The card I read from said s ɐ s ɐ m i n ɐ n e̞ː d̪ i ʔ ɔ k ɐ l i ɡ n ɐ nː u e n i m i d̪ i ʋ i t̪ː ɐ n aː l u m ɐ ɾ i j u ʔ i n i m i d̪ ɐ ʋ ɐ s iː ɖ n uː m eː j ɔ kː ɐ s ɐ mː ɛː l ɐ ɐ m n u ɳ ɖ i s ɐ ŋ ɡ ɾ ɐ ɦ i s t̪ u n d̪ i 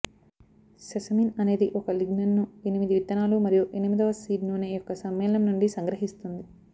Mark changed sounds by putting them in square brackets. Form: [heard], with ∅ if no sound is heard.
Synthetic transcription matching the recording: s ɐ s ɐ m i n ɐ n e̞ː d̪ i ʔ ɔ k ɐ l i ɡ n ɐ nː u e n i m i d̪ i ʋ i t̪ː ɐ n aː l u m ɐ ɾ i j u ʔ [e] n i m i d̪ ɐ ʋ ɐ s iː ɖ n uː [n] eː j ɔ kː ɐ s ɐ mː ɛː l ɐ ɐ m n u ɳ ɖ i s ɐ ŋ ɡ ɾ ɐ ɦ i s t̪ u n d̪ i